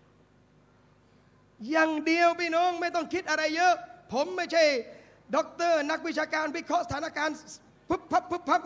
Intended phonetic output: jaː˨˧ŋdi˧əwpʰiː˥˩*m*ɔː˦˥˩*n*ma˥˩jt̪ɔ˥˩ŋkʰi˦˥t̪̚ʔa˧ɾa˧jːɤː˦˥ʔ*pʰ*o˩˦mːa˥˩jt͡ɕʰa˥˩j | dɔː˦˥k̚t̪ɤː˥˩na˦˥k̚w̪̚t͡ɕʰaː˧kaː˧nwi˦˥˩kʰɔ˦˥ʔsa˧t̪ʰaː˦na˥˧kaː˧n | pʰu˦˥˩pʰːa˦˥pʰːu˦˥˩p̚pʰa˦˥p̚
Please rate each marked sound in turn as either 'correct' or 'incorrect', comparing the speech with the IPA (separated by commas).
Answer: incorrect, incorrect, correct